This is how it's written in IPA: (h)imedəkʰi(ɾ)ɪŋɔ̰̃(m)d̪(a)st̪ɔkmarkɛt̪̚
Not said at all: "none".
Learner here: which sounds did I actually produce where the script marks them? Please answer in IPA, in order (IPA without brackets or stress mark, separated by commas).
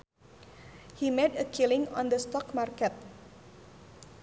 h, l, n, ə